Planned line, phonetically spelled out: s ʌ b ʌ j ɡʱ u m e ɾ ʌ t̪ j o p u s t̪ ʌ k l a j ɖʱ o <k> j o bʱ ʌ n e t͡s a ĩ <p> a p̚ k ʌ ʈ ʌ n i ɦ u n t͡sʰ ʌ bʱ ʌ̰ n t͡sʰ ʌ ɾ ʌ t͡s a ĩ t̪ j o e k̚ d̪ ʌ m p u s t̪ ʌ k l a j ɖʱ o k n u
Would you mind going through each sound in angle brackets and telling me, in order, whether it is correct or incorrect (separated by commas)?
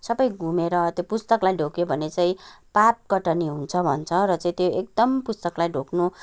correct, correct